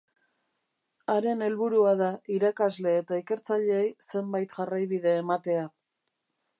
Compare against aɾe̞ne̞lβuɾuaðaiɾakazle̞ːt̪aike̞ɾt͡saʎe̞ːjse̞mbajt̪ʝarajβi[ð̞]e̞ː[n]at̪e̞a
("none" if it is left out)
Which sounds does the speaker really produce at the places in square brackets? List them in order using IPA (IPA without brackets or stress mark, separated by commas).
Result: ð̞, m